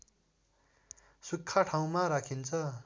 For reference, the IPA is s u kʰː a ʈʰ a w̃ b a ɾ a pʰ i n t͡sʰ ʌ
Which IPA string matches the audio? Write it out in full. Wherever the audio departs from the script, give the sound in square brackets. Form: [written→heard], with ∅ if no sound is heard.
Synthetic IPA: s u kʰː a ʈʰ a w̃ [b→m] a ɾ a [pʰ→kʰ] i n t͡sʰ ʌ